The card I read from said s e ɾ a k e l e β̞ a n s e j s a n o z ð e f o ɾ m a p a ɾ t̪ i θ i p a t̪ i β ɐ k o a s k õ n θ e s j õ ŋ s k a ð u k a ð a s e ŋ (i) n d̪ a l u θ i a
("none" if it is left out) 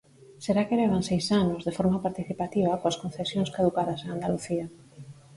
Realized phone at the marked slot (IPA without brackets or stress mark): a